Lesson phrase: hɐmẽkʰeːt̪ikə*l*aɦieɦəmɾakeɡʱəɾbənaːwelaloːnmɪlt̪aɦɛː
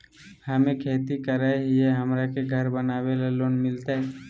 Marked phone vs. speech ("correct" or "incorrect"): incorrect